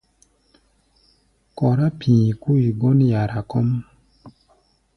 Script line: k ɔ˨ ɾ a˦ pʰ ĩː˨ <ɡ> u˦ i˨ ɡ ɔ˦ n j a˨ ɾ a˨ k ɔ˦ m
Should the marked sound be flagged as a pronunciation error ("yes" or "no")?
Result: yes